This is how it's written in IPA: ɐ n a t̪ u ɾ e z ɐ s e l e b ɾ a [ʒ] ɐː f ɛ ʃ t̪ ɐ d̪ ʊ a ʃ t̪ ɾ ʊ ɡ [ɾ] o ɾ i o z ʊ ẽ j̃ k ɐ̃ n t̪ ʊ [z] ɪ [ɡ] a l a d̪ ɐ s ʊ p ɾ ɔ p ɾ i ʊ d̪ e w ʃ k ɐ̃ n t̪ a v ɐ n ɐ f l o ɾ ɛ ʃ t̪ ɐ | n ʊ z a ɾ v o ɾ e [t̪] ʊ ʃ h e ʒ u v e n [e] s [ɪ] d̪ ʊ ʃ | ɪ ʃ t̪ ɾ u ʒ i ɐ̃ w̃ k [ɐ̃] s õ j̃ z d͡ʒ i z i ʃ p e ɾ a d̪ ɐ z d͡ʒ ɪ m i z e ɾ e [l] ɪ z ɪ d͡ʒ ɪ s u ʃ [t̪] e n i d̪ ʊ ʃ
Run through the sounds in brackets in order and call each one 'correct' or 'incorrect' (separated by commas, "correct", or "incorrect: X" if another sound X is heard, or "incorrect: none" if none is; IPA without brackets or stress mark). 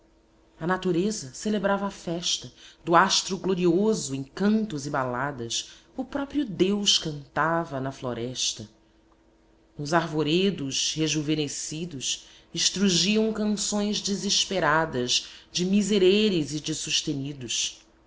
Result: incorrect: v, incorrect: l, correct, incorrect: b, incorrect: d̪, correct, incorrect: i, correct, incorrect: ɾ, correct